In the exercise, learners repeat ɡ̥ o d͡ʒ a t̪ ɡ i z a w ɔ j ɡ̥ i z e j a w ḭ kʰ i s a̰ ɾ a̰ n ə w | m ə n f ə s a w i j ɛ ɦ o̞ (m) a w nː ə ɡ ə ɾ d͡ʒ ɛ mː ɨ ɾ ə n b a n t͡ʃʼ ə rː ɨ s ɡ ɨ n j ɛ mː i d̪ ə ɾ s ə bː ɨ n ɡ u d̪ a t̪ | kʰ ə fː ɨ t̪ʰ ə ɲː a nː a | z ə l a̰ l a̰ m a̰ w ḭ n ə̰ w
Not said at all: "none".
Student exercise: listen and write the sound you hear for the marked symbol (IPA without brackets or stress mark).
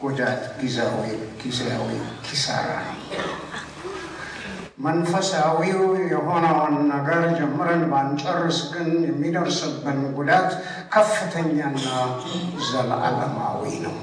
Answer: n